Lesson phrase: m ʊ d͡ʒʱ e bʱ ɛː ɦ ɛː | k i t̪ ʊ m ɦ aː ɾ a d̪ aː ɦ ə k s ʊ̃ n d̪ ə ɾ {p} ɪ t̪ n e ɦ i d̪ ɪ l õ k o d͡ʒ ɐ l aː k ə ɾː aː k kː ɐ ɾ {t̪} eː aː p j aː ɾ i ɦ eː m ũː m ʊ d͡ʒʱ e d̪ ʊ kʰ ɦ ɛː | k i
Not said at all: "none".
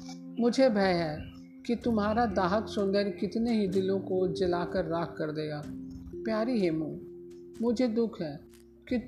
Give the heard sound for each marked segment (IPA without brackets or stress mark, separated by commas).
k, d̪